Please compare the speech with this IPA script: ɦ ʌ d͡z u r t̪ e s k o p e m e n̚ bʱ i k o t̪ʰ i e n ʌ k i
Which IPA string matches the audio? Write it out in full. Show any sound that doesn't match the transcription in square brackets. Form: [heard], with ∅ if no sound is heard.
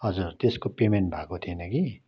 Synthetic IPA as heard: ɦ ʌ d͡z u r t̪ e s k o p e m e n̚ bʱ [a] k o t̪ʰ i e n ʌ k i